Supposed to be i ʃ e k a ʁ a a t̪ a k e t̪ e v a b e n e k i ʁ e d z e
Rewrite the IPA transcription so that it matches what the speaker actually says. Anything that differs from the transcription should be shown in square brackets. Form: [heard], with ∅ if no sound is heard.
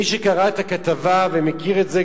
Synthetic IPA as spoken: i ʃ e k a ʁ a [e] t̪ a k [a] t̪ [a] v a [v] e [m] e k i ʁ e [t] z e